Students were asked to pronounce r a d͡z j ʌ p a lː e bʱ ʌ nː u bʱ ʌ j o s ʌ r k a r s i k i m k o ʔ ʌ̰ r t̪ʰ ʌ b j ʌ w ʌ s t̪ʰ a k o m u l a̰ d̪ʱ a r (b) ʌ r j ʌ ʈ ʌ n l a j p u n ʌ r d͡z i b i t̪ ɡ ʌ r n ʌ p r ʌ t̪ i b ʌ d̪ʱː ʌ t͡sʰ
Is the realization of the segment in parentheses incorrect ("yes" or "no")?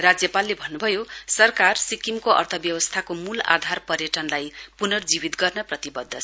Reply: yes